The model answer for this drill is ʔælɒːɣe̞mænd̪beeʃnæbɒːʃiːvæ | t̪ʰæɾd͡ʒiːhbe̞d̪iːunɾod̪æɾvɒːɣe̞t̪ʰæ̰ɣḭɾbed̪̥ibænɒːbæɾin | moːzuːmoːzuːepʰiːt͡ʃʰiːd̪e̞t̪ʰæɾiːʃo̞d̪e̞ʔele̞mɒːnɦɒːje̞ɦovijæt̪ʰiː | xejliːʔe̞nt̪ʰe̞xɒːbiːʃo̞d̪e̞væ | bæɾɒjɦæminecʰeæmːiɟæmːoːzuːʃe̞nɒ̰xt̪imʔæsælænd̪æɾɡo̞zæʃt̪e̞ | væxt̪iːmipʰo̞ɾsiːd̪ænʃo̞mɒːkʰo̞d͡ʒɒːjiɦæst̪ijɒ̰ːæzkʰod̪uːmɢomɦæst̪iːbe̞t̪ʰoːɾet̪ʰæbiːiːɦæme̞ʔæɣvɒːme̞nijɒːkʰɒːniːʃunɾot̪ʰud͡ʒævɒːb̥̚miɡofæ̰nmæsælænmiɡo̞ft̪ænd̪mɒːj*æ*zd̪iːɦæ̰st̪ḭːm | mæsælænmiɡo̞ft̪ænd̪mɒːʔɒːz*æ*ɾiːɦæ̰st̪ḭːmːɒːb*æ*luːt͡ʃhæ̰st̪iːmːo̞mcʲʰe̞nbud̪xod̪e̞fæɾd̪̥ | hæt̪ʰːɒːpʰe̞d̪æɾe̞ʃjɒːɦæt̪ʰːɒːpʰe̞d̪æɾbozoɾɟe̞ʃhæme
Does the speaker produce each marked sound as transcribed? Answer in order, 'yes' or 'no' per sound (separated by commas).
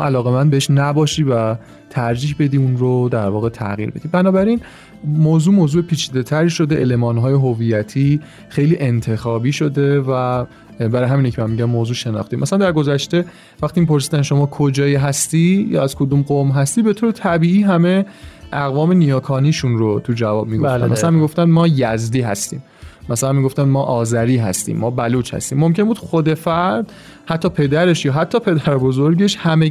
yes, yes, yes